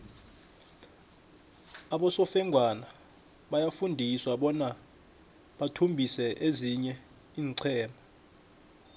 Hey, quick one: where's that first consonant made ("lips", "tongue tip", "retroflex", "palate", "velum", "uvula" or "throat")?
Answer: lips